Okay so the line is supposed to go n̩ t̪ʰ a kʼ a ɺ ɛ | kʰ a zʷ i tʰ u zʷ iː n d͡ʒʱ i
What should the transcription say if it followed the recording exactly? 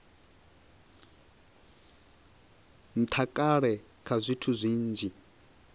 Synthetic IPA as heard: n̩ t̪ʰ a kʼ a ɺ ɛ | kʰ a zʷ i tʰ u zʷ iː n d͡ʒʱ i